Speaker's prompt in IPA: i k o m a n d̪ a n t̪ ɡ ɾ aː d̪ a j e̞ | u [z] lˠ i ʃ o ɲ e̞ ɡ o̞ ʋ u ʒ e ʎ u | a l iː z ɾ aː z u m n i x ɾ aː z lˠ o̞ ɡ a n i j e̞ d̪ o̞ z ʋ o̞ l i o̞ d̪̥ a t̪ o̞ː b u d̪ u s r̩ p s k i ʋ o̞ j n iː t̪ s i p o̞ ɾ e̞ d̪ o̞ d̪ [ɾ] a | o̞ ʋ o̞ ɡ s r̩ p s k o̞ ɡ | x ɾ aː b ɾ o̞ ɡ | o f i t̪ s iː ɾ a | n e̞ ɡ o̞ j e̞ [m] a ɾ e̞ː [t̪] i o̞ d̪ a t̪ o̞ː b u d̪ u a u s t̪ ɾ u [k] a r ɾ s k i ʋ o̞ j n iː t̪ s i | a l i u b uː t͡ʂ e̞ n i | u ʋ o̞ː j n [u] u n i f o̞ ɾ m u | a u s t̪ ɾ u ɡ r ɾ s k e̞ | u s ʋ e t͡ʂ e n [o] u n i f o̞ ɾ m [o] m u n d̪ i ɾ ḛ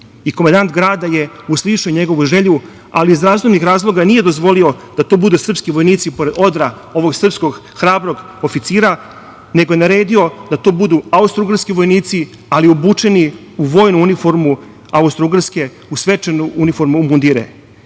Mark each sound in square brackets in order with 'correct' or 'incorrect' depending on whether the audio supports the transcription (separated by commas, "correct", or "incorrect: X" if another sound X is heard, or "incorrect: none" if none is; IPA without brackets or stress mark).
incorrect: s, correct, incorrect: n, incorrect: d̪, incorrect: ɡ, correct, incorrect: u, incorrect: u